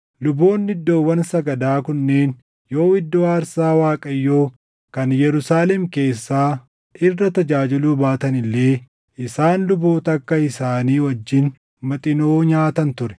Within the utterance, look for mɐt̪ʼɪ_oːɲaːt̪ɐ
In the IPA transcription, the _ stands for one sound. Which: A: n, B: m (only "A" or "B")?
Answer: A